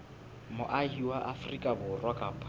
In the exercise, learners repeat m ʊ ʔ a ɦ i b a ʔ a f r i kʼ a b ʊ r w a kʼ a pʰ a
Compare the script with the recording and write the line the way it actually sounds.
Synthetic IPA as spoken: m ʊ ʔ a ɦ i w a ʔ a f r i kʼ a b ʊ r w a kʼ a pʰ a